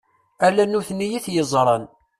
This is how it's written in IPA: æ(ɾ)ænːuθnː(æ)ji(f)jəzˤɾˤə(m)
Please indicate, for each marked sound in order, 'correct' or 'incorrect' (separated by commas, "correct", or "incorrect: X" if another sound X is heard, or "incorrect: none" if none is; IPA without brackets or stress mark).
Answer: incorrect: l, incorrect: i, incorrect: θ, incorrect: n